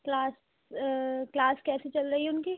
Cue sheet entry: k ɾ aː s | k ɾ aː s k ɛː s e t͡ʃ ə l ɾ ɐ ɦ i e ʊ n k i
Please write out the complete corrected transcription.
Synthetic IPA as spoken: k l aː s | k l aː s k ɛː s e t͡ʃ ɐ l ɾ ɐ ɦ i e ʊ n k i